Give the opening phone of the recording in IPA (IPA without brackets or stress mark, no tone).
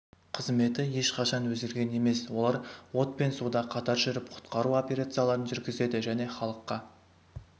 qʰ